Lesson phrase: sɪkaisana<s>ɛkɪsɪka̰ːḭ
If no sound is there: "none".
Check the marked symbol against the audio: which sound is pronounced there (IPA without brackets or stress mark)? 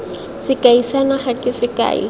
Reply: χ